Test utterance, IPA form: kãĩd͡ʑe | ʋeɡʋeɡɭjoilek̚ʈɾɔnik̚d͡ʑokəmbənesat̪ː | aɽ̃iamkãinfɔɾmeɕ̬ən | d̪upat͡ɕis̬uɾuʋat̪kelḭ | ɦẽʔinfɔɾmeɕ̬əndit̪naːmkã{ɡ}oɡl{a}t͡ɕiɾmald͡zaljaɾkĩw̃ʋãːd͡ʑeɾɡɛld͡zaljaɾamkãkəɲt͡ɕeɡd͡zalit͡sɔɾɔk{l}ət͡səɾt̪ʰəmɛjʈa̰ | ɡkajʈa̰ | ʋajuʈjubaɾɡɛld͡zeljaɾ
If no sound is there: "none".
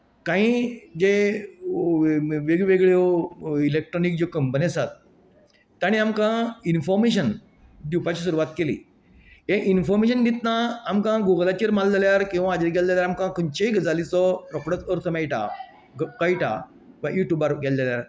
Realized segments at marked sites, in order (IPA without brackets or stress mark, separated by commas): ɡ, a, ɽ